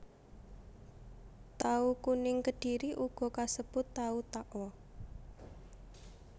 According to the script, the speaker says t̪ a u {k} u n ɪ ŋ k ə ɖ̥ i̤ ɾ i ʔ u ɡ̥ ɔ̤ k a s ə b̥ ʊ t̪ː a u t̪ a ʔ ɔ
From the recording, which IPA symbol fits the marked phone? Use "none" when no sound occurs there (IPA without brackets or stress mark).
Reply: k